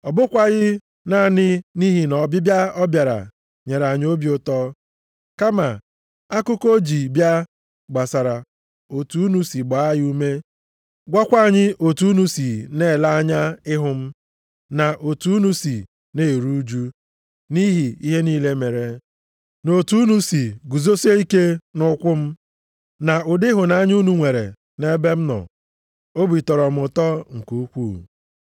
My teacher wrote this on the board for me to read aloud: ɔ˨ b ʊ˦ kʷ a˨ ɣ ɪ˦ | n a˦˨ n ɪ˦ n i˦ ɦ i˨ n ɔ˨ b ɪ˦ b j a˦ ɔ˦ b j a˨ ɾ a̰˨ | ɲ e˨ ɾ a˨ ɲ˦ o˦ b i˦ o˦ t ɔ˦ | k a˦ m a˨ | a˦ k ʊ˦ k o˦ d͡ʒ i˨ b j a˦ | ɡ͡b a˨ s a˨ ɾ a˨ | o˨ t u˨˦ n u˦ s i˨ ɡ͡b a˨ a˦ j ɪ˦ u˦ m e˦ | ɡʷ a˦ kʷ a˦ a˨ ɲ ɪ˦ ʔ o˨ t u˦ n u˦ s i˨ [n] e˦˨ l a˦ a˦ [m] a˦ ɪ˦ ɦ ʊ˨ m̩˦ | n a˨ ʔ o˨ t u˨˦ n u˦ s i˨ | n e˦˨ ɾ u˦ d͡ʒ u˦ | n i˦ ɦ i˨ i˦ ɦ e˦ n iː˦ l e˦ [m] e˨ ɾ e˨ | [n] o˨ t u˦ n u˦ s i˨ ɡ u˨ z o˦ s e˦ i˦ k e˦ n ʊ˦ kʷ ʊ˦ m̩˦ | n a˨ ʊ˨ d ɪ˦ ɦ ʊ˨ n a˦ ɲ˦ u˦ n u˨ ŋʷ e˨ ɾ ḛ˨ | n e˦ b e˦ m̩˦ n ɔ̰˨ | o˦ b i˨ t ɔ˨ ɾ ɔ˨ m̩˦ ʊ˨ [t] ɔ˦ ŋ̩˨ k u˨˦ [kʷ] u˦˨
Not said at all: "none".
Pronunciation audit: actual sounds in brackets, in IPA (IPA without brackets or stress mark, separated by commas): n, ɲ, m, n, t, kʷ